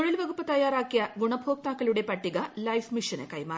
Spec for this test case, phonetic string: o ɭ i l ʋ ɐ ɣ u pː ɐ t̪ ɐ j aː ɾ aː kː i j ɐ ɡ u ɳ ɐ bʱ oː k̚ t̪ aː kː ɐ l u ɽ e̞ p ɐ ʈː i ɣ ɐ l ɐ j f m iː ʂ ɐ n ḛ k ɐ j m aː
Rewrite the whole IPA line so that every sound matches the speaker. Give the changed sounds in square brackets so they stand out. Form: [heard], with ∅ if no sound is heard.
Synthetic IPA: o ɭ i l ʋ ɐ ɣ u pː ɐ t̪ ɐ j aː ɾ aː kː i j ɐ ɡ u ɳ ɐ bʱ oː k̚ t̪ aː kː ɐ l u ɽ e̞ p ɐ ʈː i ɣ ɐ l ɐ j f m [i] ʂ ɐ n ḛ k ɐ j m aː